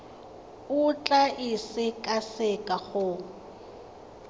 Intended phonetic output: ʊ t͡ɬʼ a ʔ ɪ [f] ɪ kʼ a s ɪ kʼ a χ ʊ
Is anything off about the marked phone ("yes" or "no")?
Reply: yes